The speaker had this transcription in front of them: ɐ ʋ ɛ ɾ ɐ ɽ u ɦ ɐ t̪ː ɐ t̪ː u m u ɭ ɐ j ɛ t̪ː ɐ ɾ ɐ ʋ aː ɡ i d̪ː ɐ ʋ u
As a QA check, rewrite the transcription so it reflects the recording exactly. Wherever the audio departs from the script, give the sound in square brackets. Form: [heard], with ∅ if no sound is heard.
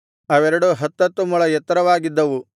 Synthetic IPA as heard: ɐ ʋ ɛ ɾ ɐ ɽ u ɦ ɐ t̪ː ɐ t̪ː u m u ɭ ɐ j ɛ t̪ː ɐ ɾ ɐ ʋ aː ɡ i d̪ː ɐ ʋ u